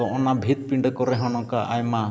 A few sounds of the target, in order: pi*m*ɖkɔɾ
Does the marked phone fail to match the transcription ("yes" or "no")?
yes